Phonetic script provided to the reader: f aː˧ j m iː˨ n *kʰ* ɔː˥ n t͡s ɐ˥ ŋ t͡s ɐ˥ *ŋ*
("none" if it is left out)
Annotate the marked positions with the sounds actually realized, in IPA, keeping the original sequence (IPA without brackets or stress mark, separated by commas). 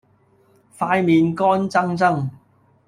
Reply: k, ŋ